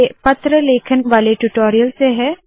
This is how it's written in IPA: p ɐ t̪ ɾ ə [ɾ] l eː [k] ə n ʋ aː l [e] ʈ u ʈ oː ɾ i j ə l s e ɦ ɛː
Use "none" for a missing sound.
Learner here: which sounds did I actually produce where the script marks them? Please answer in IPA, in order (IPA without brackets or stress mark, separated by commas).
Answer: none, kʰ, e